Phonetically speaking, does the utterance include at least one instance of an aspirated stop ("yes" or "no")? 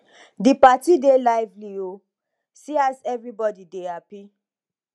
no